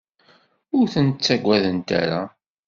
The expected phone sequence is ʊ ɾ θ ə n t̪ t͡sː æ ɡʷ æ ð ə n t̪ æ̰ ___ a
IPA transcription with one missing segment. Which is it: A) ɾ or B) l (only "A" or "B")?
A